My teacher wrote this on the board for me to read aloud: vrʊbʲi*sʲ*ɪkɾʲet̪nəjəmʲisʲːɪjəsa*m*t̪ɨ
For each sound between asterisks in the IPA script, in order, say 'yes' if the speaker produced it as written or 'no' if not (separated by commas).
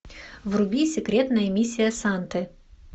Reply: yes, no